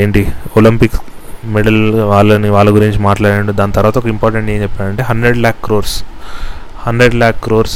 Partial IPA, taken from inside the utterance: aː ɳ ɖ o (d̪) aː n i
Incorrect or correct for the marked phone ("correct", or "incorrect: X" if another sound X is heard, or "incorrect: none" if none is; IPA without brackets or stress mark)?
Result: correct